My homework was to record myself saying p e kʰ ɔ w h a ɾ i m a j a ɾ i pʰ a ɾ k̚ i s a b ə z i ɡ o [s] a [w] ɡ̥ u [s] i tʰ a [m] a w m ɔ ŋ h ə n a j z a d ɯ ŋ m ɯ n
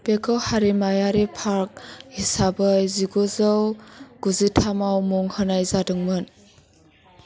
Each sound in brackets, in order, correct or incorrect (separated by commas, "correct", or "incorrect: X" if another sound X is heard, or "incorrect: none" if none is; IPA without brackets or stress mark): incorrect: z, correct, incorrect: z, correct